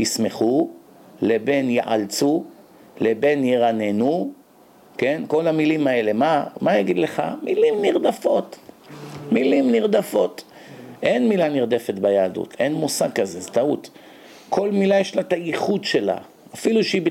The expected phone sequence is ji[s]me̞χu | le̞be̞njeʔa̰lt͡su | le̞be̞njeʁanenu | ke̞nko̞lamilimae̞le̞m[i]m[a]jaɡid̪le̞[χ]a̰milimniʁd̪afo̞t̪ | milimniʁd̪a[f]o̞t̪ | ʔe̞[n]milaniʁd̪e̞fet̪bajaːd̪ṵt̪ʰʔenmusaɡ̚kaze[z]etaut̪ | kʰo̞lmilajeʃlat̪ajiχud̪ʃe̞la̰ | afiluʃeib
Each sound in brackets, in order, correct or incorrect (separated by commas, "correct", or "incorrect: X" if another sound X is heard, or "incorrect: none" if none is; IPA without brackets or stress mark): correct, incorrect: a, correct, correct, correct, correct, correct